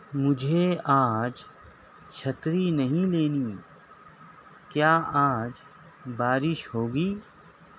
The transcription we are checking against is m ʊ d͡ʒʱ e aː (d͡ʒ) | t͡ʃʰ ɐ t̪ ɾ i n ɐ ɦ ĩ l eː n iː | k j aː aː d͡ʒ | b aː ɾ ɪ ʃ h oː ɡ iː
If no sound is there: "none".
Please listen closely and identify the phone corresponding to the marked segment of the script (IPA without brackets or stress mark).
d͡ʒ